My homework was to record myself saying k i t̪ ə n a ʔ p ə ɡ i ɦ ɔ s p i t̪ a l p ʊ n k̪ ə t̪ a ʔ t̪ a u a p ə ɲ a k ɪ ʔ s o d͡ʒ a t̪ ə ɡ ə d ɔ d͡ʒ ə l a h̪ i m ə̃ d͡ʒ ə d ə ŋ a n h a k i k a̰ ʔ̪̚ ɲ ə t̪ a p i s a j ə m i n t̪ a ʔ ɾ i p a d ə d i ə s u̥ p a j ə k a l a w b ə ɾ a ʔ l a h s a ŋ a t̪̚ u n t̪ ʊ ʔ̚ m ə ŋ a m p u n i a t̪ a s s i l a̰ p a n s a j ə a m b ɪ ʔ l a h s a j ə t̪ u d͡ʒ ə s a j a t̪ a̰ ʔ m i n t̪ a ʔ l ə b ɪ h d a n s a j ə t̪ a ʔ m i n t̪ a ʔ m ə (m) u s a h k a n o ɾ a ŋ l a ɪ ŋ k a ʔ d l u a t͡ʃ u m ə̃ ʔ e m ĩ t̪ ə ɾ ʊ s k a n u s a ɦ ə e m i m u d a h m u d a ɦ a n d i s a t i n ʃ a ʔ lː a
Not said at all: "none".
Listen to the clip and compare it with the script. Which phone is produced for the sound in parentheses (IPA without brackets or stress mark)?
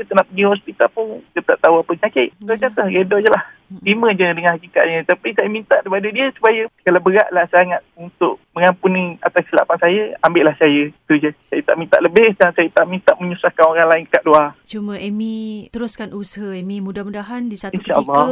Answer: ɲ